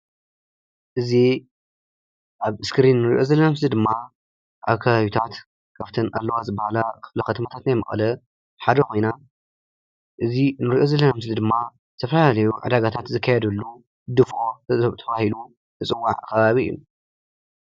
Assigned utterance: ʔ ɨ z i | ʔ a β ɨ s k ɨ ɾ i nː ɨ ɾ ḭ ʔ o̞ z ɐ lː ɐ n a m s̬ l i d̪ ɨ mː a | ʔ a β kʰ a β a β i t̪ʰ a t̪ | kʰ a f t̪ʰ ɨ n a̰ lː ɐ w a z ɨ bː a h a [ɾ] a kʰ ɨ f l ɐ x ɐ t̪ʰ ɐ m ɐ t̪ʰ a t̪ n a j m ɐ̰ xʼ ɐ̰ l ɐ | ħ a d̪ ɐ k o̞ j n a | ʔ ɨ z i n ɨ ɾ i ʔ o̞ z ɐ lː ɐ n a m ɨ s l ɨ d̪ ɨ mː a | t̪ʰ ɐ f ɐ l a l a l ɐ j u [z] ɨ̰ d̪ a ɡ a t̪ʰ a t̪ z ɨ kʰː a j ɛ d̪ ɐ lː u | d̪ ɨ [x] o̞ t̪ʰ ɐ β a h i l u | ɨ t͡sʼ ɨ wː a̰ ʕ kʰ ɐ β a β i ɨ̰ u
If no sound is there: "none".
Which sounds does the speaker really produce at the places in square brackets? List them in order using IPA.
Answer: l, ʕ, f

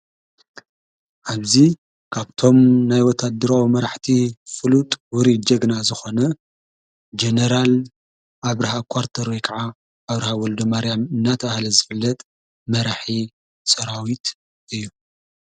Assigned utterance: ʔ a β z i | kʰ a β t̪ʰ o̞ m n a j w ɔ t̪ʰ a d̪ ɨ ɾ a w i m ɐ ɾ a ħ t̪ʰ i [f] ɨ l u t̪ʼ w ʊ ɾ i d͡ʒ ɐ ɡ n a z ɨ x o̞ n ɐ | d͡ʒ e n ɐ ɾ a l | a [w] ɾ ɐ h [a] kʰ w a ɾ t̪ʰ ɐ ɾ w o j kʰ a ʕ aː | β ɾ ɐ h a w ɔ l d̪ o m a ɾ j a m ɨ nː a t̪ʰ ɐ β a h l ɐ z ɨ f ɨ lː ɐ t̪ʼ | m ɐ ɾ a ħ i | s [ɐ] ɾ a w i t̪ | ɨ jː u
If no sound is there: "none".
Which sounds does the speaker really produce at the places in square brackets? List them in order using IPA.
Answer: f, β, a, ɐ

